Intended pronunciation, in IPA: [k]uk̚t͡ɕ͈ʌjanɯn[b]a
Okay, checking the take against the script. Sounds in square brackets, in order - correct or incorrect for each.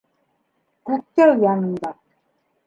correct, incorrect: d

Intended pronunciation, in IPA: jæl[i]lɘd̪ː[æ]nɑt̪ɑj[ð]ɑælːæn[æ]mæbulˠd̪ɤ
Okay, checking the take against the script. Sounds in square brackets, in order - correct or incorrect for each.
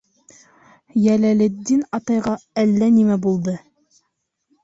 incorrect: æ, incorrect: i, incorrect: ʁ, incorrect: i

